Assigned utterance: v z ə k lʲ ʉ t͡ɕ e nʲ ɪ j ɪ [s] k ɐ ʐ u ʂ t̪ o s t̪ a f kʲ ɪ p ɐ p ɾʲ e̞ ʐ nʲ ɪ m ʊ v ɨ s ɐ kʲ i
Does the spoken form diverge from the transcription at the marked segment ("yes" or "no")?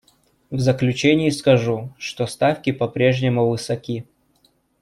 no